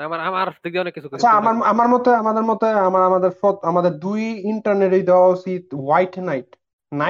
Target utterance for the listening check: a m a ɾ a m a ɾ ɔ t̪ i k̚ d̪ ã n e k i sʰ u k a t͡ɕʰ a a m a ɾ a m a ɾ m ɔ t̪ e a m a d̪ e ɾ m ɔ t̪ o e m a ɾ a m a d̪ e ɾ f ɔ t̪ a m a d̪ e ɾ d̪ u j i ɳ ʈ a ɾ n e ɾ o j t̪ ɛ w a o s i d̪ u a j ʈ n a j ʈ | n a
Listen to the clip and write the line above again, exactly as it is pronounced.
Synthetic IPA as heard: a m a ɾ a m a ɾ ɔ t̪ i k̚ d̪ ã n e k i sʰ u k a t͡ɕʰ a a m a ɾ a m a ɾ m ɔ t̪ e a m a d̪ e ɾ m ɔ t̪ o a m a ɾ a m a d̪ e ɾ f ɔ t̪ a m a d̪ e ɾ d̪ u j i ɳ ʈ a ɾ n e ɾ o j d̪ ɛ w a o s i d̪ w a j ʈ n a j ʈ | n a